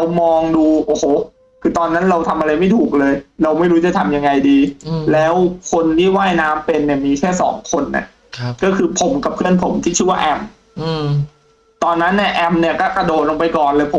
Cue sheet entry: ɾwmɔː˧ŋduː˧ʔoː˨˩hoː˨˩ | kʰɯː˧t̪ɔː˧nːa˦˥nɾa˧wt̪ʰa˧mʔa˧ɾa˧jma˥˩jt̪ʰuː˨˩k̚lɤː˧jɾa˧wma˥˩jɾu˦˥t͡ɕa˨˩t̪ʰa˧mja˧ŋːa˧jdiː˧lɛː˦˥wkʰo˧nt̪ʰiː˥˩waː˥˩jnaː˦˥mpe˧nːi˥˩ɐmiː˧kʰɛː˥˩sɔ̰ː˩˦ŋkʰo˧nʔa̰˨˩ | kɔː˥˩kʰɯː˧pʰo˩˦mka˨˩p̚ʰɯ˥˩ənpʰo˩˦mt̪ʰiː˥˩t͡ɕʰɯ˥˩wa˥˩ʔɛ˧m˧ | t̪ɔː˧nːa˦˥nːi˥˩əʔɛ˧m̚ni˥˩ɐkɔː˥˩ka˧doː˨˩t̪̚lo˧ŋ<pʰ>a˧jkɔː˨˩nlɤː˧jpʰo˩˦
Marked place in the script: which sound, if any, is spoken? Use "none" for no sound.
p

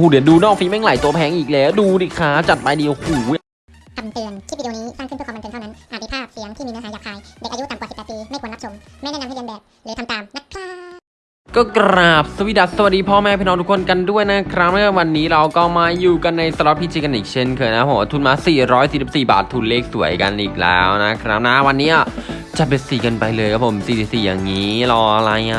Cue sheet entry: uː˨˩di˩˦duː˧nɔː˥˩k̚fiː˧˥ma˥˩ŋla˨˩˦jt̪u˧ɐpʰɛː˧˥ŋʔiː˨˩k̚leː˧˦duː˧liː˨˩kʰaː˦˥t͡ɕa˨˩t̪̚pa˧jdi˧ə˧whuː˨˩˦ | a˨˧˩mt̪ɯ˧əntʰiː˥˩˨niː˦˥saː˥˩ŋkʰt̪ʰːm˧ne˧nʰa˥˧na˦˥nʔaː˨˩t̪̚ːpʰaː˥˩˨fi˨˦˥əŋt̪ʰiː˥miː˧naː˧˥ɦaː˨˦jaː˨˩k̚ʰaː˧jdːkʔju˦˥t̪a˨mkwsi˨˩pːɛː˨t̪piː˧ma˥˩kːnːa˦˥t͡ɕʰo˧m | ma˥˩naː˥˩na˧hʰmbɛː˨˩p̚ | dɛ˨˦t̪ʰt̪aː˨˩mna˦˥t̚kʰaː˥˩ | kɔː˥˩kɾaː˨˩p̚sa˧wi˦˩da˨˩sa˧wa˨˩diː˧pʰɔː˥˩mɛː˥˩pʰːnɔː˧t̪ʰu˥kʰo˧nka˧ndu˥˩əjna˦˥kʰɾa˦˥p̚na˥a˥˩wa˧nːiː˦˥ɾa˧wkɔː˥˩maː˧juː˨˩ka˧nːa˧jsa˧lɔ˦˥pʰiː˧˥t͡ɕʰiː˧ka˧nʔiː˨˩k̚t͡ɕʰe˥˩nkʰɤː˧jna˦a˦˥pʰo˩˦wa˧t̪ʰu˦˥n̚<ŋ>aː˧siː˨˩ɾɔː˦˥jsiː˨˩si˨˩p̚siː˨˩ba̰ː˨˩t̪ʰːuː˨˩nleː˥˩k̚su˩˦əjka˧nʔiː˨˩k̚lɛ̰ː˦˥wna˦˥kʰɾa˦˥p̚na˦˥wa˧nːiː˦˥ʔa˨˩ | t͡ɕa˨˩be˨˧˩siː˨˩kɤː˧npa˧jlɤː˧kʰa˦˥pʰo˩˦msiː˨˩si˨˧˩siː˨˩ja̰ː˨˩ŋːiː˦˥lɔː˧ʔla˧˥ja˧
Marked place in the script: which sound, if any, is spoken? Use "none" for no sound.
m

